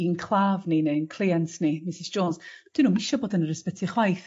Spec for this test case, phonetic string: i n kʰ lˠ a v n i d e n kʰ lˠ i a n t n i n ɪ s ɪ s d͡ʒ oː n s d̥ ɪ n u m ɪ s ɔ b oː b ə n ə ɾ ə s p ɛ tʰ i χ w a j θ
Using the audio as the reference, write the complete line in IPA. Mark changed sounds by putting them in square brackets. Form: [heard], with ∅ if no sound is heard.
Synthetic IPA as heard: i n kʰ lˠ a v n i [n] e n kʰ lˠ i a n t n i [m] ɪ s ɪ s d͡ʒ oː n s d̥ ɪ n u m ɪ [ʃ] ɔ b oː [d] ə n ə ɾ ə s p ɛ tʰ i χ w a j θ